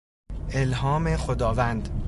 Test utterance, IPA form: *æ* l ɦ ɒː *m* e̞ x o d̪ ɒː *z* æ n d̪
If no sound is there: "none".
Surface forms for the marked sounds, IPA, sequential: e, m, v

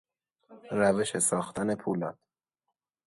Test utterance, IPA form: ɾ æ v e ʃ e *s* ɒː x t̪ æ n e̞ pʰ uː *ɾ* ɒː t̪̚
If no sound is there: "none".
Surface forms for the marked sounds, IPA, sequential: s, l

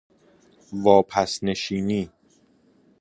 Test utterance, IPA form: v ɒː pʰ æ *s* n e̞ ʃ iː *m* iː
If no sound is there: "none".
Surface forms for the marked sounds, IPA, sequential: s, n

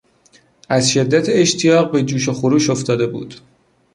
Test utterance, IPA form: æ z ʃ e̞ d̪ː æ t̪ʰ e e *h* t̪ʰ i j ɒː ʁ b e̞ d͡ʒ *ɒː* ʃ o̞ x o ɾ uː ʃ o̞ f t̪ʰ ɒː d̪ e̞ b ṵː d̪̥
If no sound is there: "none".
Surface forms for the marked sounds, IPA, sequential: ʃ, uː

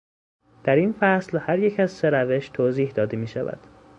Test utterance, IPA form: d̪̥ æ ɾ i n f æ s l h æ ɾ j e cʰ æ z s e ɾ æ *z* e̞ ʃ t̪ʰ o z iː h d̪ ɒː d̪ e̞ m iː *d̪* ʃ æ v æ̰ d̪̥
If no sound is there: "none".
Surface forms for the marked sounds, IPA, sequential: v, none

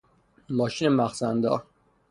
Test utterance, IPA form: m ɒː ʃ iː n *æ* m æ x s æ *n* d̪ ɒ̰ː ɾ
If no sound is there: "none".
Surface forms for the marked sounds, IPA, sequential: e, n

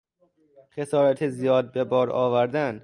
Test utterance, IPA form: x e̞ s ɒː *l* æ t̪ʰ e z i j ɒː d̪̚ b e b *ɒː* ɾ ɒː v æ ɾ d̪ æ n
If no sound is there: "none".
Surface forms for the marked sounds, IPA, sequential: ɾ, ɒː

